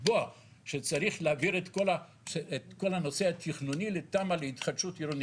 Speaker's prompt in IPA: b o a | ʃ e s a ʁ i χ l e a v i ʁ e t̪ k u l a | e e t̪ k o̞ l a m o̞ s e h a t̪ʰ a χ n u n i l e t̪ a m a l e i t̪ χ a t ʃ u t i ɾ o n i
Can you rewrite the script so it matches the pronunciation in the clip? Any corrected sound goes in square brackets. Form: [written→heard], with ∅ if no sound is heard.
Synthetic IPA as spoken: b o a | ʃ e [s→t͡s] a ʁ i χ l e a v i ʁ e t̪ k [u→o] l a | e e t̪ k o̞ l a [m→n] o̞ s e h a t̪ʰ [a→i] χ n u n i l e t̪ a m a l e i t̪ χ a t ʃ u t i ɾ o n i